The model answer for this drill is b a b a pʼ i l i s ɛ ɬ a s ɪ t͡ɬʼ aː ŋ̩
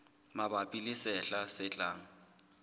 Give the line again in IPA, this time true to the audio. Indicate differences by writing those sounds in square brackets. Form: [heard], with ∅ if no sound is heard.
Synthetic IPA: [m] a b a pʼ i l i s ɛ ɬ a s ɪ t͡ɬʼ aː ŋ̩